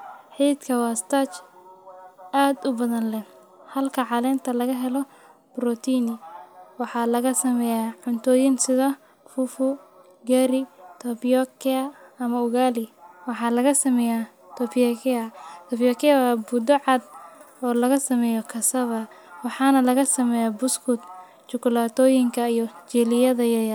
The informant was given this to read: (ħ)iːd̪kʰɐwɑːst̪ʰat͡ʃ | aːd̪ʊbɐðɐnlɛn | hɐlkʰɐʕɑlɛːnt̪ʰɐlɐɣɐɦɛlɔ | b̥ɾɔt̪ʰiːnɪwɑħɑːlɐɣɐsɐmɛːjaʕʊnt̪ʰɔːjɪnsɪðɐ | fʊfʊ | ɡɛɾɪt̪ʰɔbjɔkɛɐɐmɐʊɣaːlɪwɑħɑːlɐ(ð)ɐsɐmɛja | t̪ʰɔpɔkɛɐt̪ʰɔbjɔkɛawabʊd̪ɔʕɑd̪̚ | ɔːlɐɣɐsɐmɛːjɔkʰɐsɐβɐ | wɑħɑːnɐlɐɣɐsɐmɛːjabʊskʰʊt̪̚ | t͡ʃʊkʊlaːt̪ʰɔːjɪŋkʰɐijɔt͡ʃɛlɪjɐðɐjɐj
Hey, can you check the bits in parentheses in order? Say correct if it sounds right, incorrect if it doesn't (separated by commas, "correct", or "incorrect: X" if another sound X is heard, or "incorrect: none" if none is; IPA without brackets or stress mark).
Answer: correct, incorrect: ɣ